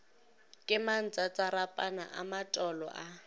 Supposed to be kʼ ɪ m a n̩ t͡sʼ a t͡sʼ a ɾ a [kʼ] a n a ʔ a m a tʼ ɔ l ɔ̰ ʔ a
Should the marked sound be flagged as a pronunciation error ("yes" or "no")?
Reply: yes